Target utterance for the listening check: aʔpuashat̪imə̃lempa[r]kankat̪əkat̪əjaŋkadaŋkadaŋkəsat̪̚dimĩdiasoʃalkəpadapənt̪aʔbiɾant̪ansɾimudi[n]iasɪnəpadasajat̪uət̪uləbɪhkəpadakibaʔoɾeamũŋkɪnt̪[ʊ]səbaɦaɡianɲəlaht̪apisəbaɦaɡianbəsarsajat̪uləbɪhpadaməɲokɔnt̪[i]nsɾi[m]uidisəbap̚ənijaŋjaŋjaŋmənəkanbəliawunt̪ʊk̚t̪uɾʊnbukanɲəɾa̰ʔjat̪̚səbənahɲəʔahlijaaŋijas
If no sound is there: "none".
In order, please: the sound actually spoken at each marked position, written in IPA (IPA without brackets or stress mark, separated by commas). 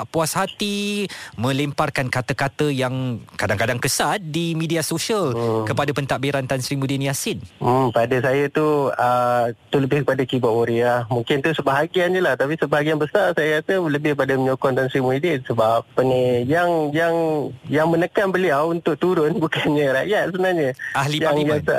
r, n, u, a, m